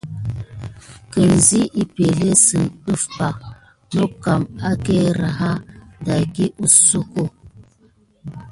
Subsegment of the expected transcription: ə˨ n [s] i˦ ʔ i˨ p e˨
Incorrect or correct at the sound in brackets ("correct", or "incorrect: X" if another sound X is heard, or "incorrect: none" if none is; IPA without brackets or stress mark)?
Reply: incorrect: z